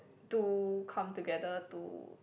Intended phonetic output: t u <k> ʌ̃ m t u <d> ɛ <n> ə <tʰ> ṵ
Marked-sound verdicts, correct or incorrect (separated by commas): incorrect, incorrect, incorrect, incorrect